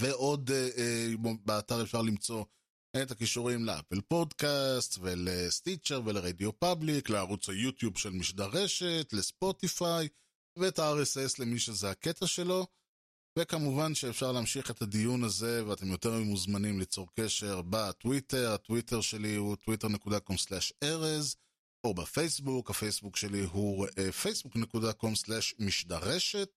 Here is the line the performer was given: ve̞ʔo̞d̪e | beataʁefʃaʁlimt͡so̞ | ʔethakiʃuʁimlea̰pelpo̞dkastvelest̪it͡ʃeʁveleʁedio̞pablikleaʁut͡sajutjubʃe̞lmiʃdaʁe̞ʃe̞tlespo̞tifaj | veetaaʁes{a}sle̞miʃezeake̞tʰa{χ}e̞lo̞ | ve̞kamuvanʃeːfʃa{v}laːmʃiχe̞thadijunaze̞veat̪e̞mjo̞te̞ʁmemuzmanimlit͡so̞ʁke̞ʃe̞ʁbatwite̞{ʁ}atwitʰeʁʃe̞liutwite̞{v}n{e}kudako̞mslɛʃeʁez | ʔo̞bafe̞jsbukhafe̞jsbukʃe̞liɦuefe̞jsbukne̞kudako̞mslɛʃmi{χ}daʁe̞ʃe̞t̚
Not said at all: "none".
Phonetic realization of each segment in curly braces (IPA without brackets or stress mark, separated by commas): e, ʃ, ʁ, ʁ, ʁ, e, ʃ